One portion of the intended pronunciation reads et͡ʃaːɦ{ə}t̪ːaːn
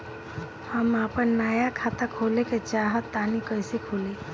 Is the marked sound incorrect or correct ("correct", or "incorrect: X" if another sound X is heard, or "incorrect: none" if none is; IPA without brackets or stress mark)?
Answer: correct